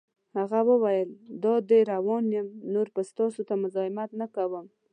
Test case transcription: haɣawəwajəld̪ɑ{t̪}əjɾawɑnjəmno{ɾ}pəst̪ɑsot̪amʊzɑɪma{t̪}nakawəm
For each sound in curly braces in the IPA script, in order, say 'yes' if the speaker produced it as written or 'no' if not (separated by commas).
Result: no, yes, yes